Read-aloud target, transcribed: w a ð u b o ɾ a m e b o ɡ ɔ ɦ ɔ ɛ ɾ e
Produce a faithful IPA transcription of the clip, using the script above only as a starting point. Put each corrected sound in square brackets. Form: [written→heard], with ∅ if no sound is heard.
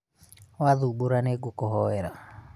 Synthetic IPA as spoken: w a ð u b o ɾ a [m→n] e [b→ɡ] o [ɡ→k] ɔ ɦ ɔ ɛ ɾ [e→a]

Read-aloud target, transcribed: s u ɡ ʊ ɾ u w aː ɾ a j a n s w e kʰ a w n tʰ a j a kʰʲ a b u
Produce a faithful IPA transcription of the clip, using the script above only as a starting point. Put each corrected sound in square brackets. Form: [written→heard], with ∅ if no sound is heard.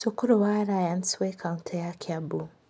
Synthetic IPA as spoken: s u [ɡ→k] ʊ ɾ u w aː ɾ a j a n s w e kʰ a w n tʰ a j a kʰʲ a b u

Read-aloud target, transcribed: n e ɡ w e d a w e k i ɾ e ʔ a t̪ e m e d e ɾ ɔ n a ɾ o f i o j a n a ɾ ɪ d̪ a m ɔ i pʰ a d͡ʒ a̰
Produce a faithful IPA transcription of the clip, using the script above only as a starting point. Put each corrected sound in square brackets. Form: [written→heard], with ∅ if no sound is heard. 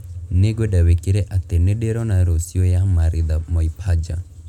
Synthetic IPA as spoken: n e ɡ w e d a w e k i ɾ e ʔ a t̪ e [m→n] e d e ɾ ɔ n a ɾ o [f→s] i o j a [n→m] a ɾ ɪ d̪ a m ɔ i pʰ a d͡ʒ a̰

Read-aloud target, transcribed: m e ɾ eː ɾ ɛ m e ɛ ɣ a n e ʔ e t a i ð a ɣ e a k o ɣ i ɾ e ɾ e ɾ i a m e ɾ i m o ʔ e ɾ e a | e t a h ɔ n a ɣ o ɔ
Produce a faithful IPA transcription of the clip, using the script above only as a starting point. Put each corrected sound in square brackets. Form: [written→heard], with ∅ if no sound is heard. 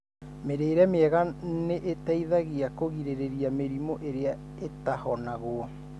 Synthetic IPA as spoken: m e ɾ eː ɾ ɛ m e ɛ ɣ a n e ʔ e t a i ð a ɣ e a k o ɣ i ɾ e ɾ e ɾ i a m e ɾ i m o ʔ e ɾ e a | e t a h ɔ n a ɣ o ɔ

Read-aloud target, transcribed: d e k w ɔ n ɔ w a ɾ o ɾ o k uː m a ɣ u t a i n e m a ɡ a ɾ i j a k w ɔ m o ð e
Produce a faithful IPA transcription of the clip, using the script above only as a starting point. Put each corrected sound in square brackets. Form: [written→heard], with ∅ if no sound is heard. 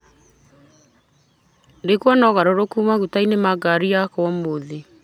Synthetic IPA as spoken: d e k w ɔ n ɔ [w→ɣ] a ɾ o ɾ o k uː m a ɣ u t a i n e m a ɡ a ɾ i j a k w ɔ m o ð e

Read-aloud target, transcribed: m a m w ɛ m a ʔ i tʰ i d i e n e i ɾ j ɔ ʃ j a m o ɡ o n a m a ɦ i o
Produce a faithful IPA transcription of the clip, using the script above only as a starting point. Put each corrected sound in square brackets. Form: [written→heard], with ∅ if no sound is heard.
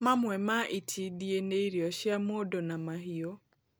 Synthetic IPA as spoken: m a m w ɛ m a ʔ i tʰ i d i e n e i ɾ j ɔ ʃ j a m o [ɡ→d] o n a m a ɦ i o

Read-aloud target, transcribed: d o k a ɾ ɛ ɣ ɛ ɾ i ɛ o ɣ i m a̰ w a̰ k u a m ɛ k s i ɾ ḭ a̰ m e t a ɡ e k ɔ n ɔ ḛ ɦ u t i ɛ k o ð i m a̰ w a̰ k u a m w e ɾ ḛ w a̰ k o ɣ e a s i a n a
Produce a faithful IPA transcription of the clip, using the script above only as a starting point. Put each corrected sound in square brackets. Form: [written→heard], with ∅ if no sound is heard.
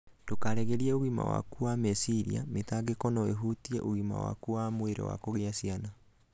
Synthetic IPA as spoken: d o k a ɾ ɛ ɣ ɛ ɾ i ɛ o ɣ i m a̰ w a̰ k u a m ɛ [k→∅] s i ɾ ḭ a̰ m e t a ɡ e k ɔ n ɔ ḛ ɦ u t i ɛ [k→ʔ] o [ð→ɣ] i m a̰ w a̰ k u a m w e ɾ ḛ w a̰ k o ɣ e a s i a n a

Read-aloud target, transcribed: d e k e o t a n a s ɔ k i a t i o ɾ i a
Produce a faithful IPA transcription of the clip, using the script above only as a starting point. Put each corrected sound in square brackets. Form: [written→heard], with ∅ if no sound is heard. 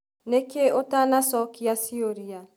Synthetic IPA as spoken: [d→n] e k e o t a n a s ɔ k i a [t→s] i o ɾ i a

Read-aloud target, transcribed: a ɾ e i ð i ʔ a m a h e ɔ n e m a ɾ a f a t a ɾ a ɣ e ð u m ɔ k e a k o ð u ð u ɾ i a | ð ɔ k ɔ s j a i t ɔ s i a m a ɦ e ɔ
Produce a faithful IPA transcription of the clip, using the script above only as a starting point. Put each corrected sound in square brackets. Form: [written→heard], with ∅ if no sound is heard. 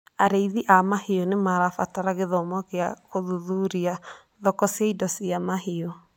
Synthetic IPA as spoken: a ɾ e i ð i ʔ a m a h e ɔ n e m a ɾ a f a t a ɾ a ɣ e ð [u→ɔ] m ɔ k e a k o ð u ð u ɾ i a | ð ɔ k ɔ s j a i [t→d] ɔ s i a m a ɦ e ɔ

